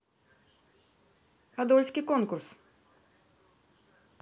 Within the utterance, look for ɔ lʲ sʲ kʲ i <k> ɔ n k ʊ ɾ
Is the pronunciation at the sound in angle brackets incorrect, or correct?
correct